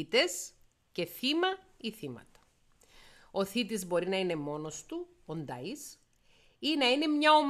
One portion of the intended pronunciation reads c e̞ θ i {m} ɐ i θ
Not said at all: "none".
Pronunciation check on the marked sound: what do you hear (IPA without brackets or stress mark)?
m